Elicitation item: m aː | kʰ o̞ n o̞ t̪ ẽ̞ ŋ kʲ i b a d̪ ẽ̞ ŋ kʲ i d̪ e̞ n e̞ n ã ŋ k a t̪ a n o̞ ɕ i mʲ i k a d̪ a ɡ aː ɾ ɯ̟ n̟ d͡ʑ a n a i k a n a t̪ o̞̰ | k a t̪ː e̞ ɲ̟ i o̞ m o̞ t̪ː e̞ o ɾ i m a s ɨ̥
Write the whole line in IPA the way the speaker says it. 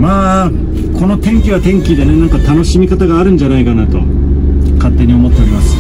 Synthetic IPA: m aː | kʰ o̞ n o̞ t̪ ẽ̞ ŋ kʲ i β a t̪ ẽ̞ ŋ kʲ i d̪ e̞ n e̞ n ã ŋ k a t̪ a n o̞ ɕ i mʲ i k a t̪ a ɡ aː ɾ ɯ̟̃ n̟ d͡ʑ a n a i k a n a t̪ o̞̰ | k a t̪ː e̞ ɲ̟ i o̞ m o̞ t̪ː e̞ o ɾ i m a s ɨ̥